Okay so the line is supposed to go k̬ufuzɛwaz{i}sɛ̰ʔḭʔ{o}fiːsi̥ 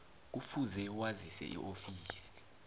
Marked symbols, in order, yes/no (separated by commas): yes, yes